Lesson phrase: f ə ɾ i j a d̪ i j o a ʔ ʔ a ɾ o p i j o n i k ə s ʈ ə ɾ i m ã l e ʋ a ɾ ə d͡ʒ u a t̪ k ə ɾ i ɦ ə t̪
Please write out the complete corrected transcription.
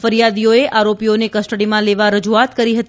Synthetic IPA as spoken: f ə ɾ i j a d̪ i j o e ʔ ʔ a ɾ o p i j o n e k ə s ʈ ə ɽ i m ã l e ʋ a ɾ ə d͡ʒ u a t̪ k ə ɾ i ɦ ə t̪